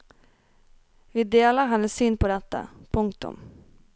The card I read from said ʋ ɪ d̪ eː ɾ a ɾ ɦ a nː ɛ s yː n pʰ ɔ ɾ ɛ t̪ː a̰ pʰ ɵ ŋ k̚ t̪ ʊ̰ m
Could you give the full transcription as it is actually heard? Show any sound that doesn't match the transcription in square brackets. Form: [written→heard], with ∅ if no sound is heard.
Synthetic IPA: [ʋ→v] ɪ d̪ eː [ɾ→l] a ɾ ɦ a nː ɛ s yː n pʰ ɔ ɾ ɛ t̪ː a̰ pʰ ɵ ŋ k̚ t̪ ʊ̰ m